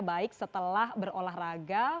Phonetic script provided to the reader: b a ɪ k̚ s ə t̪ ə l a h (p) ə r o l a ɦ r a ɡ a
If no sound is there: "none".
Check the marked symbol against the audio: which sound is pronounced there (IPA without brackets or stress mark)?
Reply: b